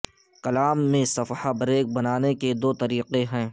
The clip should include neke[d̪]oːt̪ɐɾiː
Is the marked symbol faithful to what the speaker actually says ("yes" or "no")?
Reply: yes